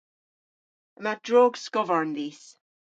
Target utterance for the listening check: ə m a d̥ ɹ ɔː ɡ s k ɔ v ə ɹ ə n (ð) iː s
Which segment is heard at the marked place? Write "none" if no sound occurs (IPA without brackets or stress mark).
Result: ð